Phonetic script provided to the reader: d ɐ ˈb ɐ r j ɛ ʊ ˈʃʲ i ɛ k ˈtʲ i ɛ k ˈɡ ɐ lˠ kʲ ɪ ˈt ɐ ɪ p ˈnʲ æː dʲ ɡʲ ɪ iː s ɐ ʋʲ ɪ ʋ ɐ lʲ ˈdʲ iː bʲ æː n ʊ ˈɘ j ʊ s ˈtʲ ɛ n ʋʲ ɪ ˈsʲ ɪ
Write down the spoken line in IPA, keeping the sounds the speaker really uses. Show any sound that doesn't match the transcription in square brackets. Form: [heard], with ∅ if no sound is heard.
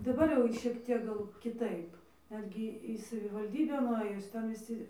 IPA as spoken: d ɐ ˈb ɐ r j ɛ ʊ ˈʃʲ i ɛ k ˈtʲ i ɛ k ˈɡ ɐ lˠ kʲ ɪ ˈt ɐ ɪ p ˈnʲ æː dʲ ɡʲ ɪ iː s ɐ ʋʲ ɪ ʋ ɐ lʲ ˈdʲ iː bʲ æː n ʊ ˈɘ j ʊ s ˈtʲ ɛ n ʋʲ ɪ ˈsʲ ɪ